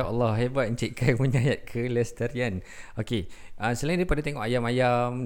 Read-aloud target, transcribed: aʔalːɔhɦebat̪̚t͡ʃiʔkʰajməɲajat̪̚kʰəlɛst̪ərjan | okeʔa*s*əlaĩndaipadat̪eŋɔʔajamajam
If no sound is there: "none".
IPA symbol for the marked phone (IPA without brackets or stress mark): s